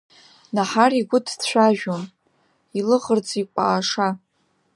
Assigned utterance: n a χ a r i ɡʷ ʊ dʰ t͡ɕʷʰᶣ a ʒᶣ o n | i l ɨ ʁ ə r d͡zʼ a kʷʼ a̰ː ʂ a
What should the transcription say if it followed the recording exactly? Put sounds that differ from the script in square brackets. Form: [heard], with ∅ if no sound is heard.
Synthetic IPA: n a [ħ] a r i ɡʷ ʊ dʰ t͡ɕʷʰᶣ a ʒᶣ o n | i l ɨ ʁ ə r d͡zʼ [i] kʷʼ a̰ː ʂ a